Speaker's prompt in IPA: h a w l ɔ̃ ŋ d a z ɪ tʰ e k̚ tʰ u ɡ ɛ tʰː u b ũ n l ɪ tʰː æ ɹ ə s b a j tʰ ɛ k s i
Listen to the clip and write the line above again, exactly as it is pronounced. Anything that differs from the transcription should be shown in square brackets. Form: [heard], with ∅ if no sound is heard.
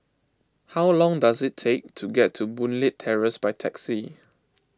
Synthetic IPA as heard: h a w l ɔ̃ ŋ d a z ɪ tʰ e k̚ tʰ u ɡ ɛ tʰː u b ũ n l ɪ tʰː [ɛ] ɹ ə s b a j tʰ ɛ k s i